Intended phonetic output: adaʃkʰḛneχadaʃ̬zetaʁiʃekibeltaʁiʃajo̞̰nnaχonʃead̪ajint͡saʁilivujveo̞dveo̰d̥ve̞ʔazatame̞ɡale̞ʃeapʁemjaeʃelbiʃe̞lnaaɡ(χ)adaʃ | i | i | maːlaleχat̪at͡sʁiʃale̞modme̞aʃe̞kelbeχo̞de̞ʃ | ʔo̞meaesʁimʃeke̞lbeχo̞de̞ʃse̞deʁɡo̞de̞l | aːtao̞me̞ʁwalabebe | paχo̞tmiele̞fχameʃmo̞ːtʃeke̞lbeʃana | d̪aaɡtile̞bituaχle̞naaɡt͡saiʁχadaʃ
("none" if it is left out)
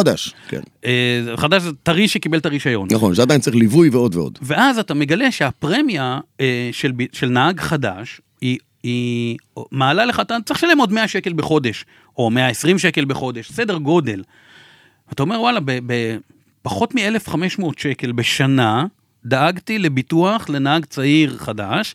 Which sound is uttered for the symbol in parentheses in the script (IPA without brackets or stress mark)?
χ